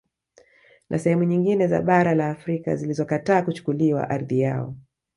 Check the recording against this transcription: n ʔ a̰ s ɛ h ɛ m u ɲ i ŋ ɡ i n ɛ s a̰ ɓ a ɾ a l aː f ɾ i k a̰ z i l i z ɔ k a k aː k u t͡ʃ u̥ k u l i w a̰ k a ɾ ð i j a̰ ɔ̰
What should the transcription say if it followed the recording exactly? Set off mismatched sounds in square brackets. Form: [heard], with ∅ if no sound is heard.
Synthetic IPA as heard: n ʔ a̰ s ɛ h ɛ m u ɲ i ŋ ɡ i n ɛ [z] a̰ ɓ a ɾ a l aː f ɾ i k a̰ z i l i z ɔ k a [t] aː k u t͡ʃ u̥ k u l i w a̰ [ʔ] a ɾ ð i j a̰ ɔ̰